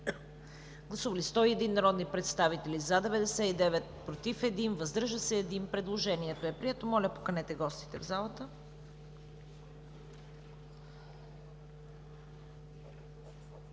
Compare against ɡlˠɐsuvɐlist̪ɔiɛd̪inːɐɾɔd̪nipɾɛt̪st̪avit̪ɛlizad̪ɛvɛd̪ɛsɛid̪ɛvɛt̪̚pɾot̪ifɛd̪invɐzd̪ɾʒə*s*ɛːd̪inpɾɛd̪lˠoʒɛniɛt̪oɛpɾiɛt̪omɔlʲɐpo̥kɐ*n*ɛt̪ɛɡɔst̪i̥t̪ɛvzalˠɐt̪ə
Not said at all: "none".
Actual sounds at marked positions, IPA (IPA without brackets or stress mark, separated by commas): s, n